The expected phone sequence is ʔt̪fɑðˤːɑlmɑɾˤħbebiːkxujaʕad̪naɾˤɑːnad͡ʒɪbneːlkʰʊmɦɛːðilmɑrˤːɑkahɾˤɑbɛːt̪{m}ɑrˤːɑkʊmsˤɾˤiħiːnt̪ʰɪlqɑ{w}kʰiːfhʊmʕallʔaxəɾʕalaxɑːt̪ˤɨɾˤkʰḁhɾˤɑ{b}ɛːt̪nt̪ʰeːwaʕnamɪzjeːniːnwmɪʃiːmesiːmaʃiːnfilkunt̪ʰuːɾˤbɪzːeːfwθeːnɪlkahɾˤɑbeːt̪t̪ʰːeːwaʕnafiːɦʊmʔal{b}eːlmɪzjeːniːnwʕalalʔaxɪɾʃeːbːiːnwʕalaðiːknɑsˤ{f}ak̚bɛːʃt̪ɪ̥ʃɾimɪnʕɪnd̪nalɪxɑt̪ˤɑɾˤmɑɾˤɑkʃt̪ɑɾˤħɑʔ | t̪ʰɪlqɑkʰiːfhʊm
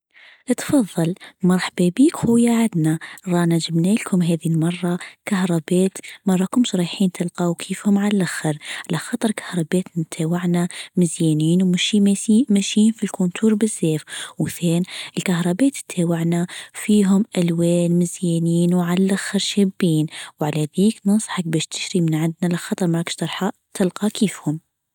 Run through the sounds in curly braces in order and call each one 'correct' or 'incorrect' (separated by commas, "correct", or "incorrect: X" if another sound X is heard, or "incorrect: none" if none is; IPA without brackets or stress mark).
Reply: correct, correct, correct, incorrect: w, incorrect: ħ